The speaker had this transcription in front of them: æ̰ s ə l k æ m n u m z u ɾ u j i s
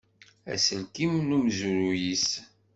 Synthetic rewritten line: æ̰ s ə l k i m n u m z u ɾ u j i s